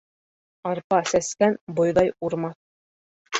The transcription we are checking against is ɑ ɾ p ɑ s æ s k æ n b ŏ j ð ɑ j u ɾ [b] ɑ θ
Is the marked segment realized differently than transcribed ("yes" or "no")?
yes